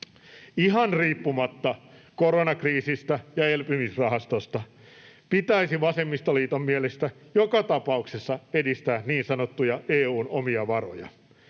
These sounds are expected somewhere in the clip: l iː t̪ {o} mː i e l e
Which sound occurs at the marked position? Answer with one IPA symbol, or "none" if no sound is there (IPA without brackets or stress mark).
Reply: o